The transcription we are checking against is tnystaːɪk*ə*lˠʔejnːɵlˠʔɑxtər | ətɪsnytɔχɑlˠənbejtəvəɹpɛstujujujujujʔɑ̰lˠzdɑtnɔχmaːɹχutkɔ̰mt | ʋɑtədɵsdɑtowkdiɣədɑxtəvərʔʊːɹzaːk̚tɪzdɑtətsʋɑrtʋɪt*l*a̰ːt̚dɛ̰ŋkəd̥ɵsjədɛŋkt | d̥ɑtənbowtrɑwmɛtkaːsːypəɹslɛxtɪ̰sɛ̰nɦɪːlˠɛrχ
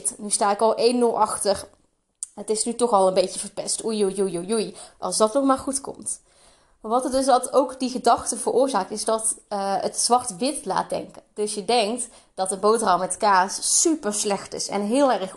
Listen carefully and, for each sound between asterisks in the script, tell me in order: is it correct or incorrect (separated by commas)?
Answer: incorrect, correct